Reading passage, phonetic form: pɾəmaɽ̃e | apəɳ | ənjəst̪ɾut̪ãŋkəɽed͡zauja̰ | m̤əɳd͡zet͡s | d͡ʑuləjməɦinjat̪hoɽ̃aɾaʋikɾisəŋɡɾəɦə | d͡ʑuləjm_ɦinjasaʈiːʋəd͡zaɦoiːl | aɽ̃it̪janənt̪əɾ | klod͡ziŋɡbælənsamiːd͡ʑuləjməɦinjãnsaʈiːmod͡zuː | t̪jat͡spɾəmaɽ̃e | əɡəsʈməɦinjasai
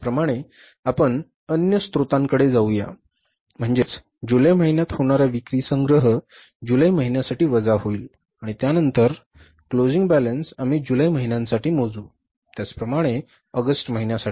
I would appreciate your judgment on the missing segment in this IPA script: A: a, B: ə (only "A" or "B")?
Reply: B